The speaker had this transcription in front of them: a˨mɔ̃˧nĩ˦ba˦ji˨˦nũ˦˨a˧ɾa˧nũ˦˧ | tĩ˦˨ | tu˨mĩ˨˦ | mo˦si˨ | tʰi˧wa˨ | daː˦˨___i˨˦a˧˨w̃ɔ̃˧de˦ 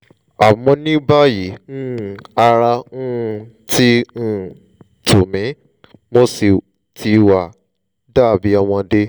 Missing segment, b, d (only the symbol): b